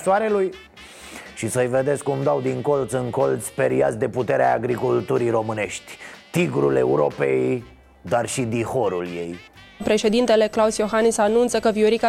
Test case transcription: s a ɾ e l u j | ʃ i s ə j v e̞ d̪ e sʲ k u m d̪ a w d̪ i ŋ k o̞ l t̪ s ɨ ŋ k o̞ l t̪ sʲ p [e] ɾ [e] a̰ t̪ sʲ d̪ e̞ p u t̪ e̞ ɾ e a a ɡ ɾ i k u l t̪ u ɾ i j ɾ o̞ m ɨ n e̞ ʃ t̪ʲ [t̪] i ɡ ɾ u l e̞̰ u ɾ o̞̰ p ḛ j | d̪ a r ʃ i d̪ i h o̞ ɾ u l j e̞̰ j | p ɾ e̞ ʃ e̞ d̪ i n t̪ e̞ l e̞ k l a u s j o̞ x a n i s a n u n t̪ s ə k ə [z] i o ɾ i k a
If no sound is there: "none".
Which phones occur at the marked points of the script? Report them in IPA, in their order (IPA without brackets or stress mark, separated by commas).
e, i, t̪, v